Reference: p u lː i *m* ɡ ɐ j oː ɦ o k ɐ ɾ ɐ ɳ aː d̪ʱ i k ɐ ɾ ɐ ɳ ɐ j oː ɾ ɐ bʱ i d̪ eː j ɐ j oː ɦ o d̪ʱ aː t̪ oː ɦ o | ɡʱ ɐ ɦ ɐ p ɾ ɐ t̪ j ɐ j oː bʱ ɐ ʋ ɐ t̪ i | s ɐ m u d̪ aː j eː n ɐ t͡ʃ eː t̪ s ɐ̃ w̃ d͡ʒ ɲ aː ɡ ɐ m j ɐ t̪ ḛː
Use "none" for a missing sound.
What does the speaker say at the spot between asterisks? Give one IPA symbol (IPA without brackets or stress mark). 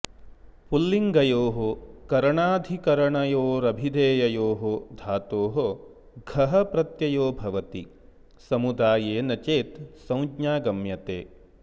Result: ŋ